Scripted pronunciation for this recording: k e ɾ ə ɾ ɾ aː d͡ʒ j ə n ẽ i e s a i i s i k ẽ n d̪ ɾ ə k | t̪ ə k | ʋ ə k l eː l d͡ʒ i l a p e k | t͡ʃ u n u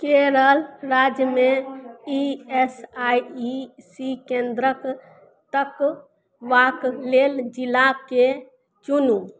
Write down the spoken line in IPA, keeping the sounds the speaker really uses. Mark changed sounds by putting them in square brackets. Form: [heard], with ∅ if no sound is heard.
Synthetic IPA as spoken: k e ɾ ə [l] ɾ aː d͡ʒ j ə [m] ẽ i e s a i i s i k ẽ n d̪ ɾ ə k | t̪ ə k | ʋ [a] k l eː l d͡ʒ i l a [k] e [∅] | t͡ʃ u n u